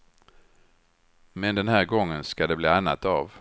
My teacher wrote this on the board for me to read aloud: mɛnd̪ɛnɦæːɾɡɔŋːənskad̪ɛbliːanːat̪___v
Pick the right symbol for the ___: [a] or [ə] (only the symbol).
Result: a